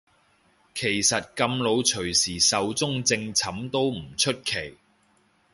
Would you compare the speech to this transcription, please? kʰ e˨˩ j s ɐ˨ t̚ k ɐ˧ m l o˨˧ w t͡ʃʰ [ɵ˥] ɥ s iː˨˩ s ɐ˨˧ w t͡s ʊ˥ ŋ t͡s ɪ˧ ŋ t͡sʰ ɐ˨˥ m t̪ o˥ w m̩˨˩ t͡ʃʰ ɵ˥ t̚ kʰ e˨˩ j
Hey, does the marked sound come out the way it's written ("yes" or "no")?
no